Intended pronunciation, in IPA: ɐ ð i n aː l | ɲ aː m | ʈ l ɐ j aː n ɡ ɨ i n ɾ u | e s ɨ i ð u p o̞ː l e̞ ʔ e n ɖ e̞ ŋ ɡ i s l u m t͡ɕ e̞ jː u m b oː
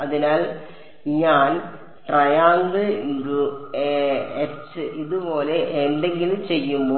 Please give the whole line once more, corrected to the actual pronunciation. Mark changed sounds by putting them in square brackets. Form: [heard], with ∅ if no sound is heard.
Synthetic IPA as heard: ɐ ð i n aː l | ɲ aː [n] | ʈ [r] ɐ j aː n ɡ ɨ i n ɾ u | e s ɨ i ð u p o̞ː l e̞ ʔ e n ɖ e̞ ŋ ɡ i [∅] l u m t͡ɕ e̞ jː u m b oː

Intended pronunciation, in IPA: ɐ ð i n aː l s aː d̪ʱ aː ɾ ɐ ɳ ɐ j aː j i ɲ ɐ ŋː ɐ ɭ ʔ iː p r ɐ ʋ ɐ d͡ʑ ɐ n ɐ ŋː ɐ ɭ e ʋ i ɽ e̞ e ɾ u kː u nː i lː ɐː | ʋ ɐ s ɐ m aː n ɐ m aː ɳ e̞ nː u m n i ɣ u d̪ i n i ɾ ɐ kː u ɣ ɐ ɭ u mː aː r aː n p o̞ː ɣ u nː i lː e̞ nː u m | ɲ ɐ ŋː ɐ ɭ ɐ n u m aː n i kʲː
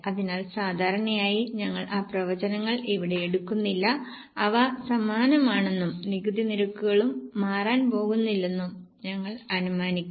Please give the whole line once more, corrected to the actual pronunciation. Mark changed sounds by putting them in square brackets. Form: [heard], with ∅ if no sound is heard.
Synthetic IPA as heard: ɐ ð i n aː l s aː d̪ʱ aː ɾ ɐ ɳ ɐ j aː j i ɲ ɐ ŋː ɐ ɭ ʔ [aː] p r ɐ ʋ ɐ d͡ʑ ɐ n ɐ ŋː ɐ ɭ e ʋ i ɽ e̞ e [ɽ] u kː u nː i lː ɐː | ʋ ɐ s ɐ m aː n ɐ m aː ɳ e̞ nː u m n i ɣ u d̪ i n i ɾ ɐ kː u ɣ ɐ ɭ u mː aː r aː n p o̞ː ɣ u nː i lː e̞ nː u m | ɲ ɐ ŋː ɐ ɭ ɐ n u m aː n i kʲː

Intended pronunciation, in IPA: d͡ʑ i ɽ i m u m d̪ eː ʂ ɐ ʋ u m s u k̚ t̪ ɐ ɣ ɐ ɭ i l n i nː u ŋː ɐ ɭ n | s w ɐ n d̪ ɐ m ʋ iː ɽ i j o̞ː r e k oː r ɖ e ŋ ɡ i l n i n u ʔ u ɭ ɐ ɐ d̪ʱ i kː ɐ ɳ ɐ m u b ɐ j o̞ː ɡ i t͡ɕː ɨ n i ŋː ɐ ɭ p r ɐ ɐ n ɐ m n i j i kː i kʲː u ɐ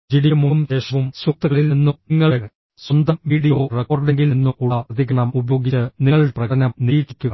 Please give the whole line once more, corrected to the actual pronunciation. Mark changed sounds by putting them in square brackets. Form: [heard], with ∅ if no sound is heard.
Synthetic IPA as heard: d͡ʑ i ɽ i m u m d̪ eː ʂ ɐ ʋ u m s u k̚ t̪ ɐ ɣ ɐ ɭ i l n i nː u ŋː ɐ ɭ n | s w ɐ n d̪ ɐ m ʋ iː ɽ i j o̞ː r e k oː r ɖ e ŋ ɡ i l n i [nː] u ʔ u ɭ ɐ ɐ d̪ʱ i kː ɐ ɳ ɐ m u b ɐ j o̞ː ɡ i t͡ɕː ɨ n i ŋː ɐ ɭ p r ɐ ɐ n ɐ m n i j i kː i kʲː u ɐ

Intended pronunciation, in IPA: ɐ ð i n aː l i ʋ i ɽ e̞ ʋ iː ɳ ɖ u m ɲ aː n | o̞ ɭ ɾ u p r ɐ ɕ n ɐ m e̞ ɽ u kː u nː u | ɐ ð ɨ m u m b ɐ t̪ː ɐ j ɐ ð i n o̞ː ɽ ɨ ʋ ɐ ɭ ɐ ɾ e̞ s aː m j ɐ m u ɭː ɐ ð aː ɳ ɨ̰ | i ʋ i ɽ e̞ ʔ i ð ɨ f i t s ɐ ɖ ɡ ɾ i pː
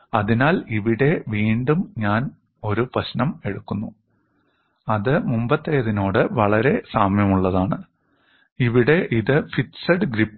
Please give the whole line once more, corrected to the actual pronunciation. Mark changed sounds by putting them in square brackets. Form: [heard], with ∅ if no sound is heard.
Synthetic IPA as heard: ɐ ð i n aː l i ʋ i ɽ e̞ ʋ iː ɳ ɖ u m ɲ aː n | o̞ [∅] ɾ u p r ɐ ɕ n ɐ m e̞ ɽ u kː u nː u | ɐ ð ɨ m u m b ɐ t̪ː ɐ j ɐ ð i n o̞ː ɽ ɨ ʋ ɐ ɭ ɐ ɾ e̞ s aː m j ɐ m u ɭː ɐ ð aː ɳ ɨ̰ | i ʋ i ɽ e̞ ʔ i ð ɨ f i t s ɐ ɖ ɡ ɾ i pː

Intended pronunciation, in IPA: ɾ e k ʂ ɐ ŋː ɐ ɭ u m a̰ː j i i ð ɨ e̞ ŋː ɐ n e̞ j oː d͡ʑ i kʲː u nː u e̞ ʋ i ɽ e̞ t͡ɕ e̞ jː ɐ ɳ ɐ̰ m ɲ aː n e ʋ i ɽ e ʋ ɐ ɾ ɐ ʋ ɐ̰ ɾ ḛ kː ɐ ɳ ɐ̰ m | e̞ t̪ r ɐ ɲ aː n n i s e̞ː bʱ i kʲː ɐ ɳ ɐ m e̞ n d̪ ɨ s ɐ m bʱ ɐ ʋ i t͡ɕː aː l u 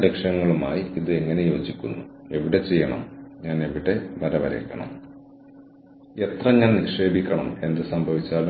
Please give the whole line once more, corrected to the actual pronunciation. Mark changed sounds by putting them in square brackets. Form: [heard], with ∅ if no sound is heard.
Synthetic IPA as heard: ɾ e k ʂ ɐ ŋː ɐ ɭ u m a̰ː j i i ð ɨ e̞ ŋː ɐ n e̞ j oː d͡ʑ i kʲː u nː u e̞ ʋ i ɽ e̞ t͡ɕ e̞ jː ɐ ɳ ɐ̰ m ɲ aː n e ʋ i ɽ e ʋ ɐ ɾ ɐ ʋ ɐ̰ ɾ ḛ kː ɐ ɳ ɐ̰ m | e̞ t̪ r ɐ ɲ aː n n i [ʂ] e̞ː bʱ i kʲː ɐ ɳ ɐ m e̞ n d̪ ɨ s ɐ m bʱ ɐ ʋ i t͡ɕː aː l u

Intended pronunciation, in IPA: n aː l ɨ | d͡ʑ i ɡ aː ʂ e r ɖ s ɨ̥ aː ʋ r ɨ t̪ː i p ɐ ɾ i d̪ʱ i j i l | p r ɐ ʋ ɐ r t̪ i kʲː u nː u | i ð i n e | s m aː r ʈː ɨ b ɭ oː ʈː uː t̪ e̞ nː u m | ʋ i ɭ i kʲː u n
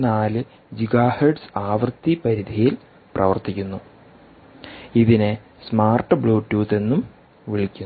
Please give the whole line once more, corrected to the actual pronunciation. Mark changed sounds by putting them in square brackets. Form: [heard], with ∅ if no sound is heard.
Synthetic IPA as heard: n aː l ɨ | d͡ʑ i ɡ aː [h] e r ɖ s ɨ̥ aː ʋ r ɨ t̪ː i p ɐ ɾ i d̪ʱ i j i l | p r ɐ ʋ ɐ r t̪ i kʲː u nː u | i ð i n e | s m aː r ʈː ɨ b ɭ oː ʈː uː t̪ e̞ nː u m | ʋ i ɭ i kʲː u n

